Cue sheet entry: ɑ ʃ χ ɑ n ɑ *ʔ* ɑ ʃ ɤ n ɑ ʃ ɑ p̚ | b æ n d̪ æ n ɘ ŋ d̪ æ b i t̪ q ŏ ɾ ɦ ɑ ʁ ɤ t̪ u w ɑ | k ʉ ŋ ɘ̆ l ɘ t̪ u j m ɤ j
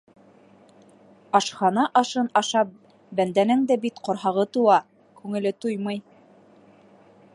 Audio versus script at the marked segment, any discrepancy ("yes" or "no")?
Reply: no